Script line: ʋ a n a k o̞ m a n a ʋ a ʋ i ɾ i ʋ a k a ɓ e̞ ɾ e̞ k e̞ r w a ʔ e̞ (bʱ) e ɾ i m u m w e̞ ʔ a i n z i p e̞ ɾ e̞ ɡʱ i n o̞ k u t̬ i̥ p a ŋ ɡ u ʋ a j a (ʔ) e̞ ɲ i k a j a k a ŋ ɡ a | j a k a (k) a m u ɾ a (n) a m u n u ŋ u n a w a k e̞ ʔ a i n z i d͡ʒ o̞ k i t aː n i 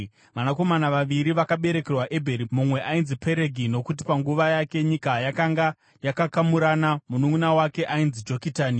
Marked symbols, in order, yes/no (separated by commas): yes, no, yes, yes